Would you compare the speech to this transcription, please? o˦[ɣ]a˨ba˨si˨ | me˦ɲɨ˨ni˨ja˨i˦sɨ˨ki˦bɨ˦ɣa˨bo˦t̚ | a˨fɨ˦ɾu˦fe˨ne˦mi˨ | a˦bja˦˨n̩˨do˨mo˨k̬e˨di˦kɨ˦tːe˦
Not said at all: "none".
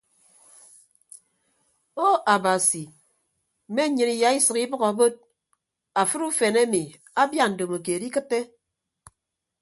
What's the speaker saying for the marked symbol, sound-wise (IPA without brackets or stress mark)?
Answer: none